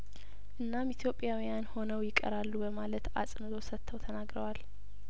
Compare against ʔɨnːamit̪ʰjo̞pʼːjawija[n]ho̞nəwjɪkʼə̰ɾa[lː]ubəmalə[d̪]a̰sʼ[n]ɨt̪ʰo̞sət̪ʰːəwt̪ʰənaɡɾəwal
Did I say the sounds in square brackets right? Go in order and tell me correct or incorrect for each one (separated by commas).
correct, correct, incorrect, correct